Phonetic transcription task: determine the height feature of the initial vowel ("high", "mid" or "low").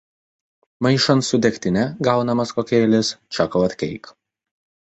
low